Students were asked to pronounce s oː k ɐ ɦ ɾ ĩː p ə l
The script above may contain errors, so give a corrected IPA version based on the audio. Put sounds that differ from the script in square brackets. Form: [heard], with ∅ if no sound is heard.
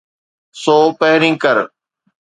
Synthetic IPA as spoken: s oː [p] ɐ ɦ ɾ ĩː [k] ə [ɾ]